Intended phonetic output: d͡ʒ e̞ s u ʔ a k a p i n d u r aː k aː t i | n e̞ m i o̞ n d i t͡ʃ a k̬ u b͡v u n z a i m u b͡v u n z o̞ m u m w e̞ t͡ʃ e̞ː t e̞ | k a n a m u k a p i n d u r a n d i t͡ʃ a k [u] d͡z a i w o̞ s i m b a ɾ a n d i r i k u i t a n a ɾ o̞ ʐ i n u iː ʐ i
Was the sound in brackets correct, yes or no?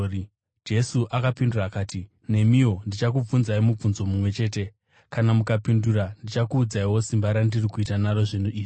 no